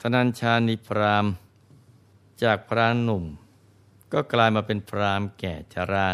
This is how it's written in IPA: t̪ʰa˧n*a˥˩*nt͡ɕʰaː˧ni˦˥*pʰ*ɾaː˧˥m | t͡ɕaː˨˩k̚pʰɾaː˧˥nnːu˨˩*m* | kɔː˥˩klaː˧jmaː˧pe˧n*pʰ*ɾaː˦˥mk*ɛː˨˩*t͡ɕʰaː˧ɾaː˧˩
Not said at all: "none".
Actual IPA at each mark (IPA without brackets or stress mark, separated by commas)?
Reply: a˧, pʰ, m, pʰ, ɛː˨˩